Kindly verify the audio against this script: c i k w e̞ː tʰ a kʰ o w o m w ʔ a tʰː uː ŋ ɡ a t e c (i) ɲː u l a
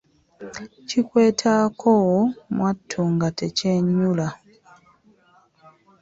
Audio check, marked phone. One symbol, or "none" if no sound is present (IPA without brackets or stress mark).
e